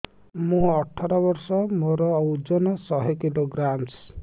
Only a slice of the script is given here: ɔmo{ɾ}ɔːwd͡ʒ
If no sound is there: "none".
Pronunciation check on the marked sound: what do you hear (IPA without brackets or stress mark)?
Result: ɾ